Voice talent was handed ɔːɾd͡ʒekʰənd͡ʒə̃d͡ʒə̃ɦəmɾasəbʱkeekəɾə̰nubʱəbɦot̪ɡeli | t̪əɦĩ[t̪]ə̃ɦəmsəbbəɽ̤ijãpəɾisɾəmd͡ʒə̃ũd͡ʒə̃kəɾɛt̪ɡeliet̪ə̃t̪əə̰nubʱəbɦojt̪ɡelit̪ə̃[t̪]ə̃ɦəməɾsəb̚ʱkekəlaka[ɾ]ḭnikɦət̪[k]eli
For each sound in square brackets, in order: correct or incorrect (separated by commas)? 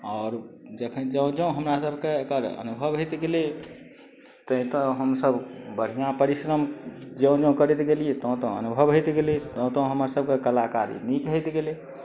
correct, correct, correct, incorrect